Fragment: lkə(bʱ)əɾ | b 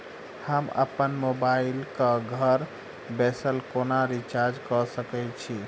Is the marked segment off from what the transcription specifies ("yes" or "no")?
yes